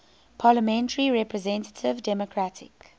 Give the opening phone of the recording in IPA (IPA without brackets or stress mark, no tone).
pʰ